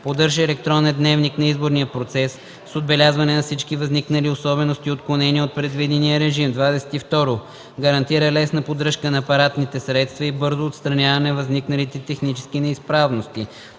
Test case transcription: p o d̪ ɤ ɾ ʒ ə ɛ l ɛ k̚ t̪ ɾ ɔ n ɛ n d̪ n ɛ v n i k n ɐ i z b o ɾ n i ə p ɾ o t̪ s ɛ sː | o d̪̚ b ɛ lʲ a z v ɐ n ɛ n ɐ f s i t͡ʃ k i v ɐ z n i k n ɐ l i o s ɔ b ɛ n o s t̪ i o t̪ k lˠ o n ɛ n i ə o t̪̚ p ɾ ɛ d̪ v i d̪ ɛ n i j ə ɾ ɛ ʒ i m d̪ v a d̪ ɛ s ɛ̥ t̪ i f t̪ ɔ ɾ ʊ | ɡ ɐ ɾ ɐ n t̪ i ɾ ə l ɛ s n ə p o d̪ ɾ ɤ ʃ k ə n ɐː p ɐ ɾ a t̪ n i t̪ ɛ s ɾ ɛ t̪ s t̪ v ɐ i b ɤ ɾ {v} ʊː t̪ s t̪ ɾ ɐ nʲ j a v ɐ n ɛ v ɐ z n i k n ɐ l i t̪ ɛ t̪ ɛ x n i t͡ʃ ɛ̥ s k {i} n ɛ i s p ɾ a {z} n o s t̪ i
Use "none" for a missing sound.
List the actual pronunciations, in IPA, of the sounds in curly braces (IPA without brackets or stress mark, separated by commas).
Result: z, i, v